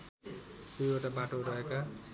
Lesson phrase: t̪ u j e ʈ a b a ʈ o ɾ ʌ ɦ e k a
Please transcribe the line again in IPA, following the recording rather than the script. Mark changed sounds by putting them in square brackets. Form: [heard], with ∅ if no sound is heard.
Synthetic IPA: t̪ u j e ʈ a b a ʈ o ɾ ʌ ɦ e k a